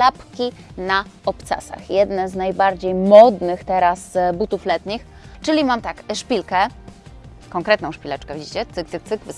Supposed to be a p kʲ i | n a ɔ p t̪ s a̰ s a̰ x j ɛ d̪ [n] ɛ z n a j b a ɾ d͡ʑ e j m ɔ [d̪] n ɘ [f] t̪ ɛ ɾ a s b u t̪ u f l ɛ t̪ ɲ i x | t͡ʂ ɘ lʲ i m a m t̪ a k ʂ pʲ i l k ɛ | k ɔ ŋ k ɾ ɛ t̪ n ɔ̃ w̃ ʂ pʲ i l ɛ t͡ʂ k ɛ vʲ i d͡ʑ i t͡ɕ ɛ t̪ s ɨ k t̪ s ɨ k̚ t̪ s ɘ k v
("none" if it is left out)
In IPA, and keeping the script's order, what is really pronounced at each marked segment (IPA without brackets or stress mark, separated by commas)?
n, d̪, x